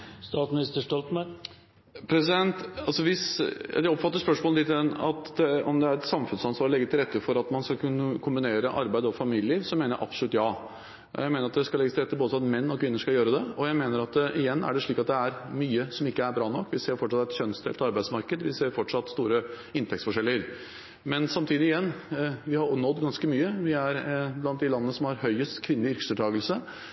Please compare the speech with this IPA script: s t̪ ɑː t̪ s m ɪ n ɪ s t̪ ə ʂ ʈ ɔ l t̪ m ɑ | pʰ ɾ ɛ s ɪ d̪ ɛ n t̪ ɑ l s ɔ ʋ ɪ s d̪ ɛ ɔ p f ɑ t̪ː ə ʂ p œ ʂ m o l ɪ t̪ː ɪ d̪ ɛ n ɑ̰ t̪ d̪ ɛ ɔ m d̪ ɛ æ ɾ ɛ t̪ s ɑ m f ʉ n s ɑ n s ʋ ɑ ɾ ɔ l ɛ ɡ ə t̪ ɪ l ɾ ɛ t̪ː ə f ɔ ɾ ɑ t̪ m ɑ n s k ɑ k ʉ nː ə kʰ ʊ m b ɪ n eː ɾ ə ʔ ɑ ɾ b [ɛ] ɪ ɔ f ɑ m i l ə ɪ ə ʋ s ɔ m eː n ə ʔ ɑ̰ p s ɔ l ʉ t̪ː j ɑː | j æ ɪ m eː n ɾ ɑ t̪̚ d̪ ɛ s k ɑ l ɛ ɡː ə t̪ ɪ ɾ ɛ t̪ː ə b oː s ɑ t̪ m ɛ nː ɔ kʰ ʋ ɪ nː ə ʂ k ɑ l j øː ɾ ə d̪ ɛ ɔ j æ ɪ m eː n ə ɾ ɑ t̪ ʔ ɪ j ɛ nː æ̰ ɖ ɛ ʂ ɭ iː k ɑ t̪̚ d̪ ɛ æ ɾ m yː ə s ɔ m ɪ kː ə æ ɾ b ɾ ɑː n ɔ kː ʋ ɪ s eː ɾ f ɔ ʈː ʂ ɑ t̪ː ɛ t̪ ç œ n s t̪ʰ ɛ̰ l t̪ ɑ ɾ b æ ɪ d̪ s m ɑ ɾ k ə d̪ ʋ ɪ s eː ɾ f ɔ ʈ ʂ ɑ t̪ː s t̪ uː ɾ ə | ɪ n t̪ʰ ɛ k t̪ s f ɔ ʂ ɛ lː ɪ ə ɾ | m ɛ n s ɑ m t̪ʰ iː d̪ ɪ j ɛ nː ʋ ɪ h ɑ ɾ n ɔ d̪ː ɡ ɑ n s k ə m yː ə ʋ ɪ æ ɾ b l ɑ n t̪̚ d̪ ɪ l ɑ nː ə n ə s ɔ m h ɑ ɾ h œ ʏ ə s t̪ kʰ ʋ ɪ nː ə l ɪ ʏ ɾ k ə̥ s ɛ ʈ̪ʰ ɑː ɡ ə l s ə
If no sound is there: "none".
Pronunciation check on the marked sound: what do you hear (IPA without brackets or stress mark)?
æ